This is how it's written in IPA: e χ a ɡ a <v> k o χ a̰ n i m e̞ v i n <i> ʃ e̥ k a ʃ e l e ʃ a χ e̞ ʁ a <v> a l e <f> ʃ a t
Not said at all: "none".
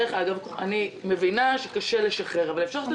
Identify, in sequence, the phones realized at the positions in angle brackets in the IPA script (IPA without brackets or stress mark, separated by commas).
v, a, v, f